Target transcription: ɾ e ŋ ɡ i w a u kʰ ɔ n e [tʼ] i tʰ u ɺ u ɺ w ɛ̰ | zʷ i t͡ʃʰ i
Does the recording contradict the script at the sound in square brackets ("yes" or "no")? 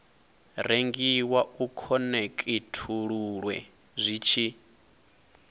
yes